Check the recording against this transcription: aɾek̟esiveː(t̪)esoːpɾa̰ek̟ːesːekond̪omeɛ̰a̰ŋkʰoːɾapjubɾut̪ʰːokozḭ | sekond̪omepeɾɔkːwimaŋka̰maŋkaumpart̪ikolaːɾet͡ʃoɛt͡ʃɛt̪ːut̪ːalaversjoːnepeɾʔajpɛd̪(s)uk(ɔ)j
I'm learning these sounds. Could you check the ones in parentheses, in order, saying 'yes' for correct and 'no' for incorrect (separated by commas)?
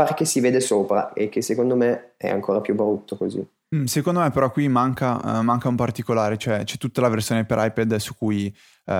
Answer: no, yes, no